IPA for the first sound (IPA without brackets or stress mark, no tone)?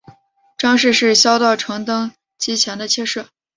ʈ͡ʂ